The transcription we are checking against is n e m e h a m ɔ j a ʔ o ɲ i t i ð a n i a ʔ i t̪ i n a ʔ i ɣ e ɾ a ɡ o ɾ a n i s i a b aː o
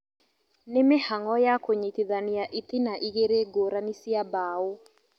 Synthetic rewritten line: n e m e h a ŋ ɔ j a k o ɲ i t i ð a n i a ʔ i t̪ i n a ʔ i ɣ e ɾ e ɡ o ɾ a n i s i a b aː o